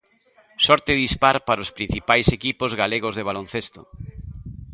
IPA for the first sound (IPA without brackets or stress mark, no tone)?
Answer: s